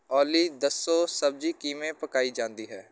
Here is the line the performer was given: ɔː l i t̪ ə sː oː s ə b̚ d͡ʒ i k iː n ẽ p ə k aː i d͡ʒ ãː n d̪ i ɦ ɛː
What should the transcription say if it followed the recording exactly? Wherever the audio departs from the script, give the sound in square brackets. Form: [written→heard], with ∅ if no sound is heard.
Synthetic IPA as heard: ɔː l i [t̪→d̪] ə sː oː s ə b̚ d͡ʒ i k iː [n→m] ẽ p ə k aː i d͡ʒ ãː n d̪ i ɦ ɛː

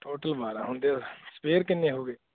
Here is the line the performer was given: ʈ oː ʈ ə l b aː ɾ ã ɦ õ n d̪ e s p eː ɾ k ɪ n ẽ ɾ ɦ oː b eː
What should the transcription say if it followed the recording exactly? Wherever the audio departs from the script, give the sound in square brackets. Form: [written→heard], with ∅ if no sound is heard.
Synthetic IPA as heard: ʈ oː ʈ ə l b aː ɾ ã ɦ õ n d̪ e s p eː ɾ k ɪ n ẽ [ɾ→∅] ɦ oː [b→ɡ] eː

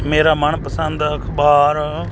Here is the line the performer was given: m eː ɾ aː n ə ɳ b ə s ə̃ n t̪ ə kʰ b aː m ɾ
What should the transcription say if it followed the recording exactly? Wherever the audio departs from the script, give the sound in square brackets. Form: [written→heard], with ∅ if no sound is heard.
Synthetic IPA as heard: m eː ɾ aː [n→m] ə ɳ [b→p] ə s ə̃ n [t̪→d̪] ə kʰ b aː [m→∅] ɾ

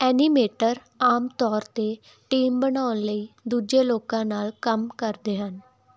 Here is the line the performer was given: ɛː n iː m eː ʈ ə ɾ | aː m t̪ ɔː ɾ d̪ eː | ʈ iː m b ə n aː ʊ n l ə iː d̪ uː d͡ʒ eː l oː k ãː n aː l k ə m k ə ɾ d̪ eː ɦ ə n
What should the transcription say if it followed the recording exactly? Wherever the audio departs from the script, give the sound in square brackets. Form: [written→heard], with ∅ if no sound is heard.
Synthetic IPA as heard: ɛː n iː m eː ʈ ə ɾ | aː m t̪ ɔː ɾ [d̪→t̪] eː | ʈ iː m b ə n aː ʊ n l ə iː d̪ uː d͡ʒ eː l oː k ãː n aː l k ə m k ə ɾ d̪ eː ɦ ə n

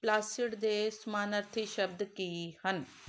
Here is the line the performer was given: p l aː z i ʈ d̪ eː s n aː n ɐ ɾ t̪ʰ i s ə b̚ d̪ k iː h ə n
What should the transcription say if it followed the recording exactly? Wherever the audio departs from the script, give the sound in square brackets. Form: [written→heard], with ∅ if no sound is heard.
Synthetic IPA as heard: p l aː [z→s] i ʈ d̪ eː s [n→m] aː n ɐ ɾ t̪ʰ i [s→ʃ] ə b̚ d̪ k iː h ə n

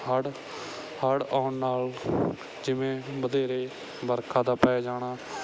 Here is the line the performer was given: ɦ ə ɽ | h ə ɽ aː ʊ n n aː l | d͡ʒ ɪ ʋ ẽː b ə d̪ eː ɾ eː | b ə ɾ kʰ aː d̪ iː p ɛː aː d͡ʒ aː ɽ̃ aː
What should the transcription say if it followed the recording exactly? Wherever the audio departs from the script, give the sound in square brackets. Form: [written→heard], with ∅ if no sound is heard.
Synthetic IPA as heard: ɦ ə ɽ | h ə ɽ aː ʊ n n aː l | d͡ʒ ɪ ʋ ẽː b ə d̪ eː ɾ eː | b ə ɾ kʰ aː d̪ [iː→aː] p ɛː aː d͡ʒ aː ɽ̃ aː

